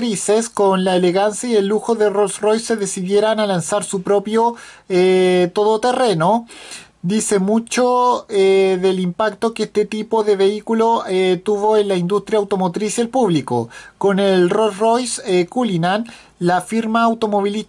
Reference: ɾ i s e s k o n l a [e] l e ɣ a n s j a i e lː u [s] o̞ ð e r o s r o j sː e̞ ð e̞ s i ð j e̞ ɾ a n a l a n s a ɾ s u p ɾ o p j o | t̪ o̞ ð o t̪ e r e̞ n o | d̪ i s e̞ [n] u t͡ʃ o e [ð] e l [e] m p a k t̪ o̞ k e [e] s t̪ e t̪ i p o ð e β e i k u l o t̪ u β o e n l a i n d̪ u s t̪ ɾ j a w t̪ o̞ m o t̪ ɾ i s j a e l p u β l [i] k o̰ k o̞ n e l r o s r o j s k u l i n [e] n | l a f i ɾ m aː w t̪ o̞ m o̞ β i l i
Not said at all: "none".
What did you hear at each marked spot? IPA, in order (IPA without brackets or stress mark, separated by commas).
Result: e, x, m, ð, i, e, i, a